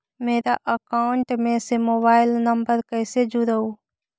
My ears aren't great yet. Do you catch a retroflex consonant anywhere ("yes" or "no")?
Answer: yes